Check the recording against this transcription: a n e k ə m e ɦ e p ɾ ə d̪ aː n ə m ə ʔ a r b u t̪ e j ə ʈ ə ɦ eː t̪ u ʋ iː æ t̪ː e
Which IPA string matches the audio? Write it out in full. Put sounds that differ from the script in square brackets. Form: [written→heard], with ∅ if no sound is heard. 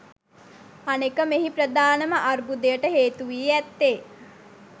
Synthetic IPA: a n e k ə m e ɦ [e→i] p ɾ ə d̪ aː n ə m ə ʔ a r b u [t̪→d̪] e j ə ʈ ə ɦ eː t̪ u ʋ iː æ t̪ː e